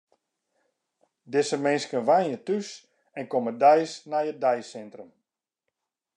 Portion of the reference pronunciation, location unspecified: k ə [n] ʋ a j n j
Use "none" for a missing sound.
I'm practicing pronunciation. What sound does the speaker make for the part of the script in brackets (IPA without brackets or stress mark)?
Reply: n